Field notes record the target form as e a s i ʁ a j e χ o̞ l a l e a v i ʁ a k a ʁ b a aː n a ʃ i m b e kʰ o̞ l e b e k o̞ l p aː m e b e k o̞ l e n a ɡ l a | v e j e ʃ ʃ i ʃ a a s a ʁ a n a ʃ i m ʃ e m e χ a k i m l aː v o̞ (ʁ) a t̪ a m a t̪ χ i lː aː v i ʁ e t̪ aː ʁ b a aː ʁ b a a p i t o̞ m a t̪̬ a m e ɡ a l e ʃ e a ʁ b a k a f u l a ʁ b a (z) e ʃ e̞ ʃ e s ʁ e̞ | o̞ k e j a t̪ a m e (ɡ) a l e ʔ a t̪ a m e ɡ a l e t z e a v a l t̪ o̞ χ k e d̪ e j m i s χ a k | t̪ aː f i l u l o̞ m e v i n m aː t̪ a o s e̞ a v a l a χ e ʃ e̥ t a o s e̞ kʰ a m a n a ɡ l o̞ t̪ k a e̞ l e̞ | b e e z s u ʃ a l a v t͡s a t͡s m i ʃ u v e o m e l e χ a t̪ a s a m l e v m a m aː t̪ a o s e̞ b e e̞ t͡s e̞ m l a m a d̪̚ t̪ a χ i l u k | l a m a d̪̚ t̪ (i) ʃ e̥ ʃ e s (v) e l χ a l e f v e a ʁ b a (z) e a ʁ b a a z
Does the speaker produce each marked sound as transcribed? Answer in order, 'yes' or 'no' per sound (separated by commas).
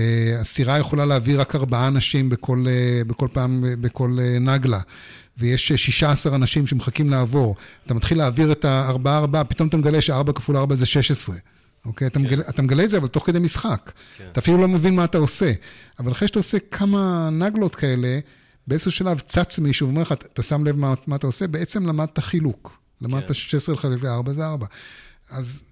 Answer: yes, yes, yes, no, no, yes